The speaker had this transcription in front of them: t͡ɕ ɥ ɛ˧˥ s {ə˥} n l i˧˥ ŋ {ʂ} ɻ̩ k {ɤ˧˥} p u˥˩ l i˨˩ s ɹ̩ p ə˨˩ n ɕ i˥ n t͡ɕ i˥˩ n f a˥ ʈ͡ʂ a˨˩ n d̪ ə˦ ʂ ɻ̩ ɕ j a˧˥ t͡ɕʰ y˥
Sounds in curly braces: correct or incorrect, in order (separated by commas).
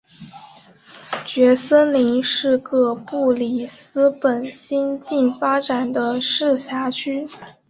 correct, correct, incorrect